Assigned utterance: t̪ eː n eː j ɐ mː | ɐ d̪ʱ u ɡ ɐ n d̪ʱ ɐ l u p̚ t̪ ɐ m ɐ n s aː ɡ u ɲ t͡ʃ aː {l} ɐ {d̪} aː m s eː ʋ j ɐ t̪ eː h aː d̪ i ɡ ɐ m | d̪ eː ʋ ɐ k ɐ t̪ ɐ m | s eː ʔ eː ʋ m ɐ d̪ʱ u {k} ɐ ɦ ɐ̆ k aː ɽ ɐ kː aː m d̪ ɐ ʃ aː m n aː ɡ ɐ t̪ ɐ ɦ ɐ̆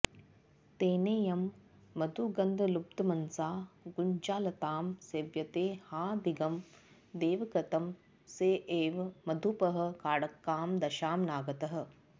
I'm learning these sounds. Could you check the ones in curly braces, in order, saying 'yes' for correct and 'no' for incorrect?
yes, no, no

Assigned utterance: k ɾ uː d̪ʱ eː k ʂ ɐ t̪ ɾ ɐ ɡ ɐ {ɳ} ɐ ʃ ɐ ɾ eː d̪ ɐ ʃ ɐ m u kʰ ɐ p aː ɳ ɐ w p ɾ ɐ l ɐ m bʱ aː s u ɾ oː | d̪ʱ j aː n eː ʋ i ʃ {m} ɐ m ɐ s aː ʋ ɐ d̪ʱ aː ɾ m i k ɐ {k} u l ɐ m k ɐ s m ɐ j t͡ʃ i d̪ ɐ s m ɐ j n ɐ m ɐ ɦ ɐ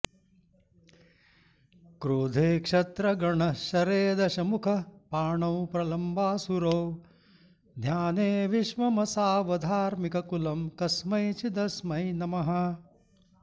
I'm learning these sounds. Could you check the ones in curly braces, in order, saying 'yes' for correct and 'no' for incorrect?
yes, yes, yes

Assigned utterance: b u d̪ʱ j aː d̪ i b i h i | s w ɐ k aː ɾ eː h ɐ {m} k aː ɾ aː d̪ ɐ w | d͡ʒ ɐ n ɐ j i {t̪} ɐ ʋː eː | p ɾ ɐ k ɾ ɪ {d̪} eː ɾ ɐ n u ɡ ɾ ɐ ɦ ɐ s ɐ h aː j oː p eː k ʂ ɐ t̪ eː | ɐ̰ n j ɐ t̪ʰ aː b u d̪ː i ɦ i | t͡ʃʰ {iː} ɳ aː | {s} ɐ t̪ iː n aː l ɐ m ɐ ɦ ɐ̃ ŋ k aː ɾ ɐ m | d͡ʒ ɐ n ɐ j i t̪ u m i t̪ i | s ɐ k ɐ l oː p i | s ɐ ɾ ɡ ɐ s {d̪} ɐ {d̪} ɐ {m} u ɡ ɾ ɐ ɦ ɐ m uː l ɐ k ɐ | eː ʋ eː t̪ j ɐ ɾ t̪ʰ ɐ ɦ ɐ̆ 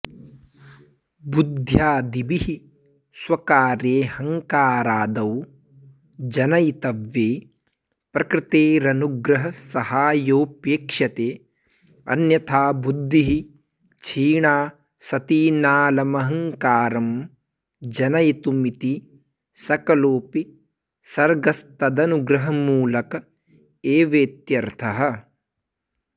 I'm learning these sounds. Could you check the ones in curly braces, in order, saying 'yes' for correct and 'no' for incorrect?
no, yes, no, yes, yes, no, yes, no

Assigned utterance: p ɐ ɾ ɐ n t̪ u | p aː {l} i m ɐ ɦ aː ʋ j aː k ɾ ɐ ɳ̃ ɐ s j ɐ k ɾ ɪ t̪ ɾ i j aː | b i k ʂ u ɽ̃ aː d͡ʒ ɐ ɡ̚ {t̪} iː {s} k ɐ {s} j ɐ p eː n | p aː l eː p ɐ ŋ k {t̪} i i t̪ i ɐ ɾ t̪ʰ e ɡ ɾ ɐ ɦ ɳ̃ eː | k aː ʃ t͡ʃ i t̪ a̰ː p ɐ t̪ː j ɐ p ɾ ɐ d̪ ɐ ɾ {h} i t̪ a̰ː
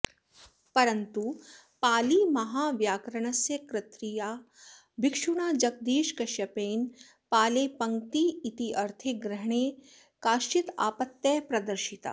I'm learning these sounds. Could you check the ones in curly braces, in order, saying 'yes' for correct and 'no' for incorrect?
yes, no, no, no, yes, no

